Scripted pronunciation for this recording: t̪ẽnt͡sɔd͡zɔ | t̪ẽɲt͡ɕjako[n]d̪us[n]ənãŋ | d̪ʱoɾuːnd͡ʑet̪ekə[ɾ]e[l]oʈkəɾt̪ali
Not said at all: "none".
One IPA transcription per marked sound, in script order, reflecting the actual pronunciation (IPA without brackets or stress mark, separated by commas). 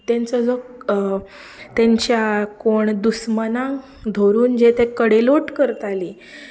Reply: ɳ, m, ɽ, l